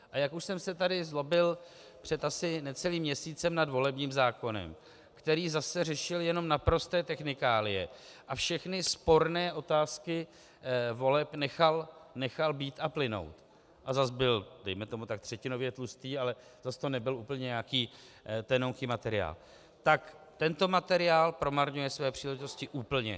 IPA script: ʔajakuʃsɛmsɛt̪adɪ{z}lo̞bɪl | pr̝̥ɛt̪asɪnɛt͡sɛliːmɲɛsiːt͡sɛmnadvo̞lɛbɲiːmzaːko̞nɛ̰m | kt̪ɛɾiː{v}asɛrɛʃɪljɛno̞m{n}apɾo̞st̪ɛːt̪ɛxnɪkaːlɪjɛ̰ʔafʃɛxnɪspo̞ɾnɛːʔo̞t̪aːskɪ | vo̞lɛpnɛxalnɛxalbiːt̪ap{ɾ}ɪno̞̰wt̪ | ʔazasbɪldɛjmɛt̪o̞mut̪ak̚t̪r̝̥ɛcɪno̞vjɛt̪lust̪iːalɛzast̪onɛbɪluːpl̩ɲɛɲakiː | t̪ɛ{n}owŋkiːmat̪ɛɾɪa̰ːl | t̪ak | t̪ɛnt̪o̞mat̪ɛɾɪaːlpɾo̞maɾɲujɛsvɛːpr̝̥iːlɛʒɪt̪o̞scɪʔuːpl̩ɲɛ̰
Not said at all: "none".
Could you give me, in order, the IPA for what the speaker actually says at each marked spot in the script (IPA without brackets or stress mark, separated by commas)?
z, z, n, l, n